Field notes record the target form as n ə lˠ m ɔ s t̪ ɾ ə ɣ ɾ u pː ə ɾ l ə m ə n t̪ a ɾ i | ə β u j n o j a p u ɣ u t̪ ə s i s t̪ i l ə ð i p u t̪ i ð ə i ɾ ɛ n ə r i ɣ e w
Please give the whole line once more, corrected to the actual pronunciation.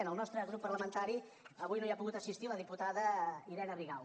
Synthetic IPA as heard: n ə lˠ n ɔ s t̪ ɾ ə ɣ ɾ u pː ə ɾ l ə m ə n t̪ a ɾ i | ə β u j n o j a p u ɣ u t̪ ə s i s t̪ i l ə ð i p u t̪ a ð ə i ɾ ɛ n ə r i ɣ a w